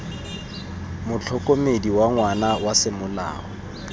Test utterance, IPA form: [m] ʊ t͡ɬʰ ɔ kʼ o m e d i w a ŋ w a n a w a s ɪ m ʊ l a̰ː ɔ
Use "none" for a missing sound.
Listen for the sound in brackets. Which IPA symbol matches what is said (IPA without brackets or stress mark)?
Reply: m